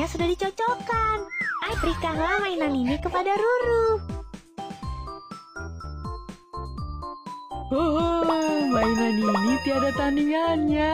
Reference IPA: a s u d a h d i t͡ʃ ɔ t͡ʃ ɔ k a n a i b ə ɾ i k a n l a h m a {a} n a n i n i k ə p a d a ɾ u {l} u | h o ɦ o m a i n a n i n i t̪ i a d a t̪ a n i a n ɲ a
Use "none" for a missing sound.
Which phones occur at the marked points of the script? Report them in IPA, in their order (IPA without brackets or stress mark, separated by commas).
i, ɾ